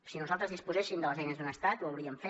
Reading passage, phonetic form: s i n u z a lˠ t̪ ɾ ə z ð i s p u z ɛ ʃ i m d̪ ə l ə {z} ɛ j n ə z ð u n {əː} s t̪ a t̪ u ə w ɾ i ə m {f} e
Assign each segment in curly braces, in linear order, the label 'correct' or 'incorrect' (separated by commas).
correct, incorrect, correct